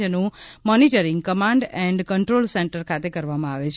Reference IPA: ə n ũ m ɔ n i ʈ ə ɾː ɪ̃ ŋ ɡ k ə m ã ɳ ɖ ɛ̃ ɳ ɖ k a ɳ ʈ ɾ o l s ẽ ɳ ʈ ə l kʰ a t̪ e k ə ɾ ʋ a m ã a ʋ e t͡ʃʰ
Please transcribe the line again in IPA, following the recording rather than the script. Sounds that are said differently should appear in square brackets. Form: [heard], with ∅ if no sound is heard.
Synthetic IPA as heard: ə n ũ m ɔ n i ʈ ə [ɾ] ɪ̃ ŋ ɡ k ə m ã ɳ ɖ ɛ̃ ɳ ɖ k [ə] ɳ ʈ ɾ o l s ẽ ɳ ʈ ə [ɾ] kʰ a t̪ e k ə ɾ ʋ a m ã a ʋ e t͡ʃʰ